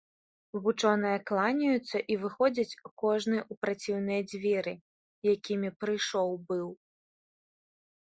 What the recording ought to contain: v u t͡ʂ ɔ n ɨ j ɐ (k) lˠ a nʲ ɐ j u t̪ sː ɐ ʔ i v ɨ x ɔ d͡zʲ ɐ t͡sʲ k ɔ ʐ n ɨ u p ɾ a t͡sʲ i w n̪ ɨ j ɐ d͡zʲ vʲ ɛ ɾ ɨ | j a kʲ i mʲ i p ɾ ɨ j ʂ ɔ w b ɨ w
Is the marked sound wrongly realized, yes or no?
no